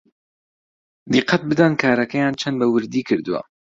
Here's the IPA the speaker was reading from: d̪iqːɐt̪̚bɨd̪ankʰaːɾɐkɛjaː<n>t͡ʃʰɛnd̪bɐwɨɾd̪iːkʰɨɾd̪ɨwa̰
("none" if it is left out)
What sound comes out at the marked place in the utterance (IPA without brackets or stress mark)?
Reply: n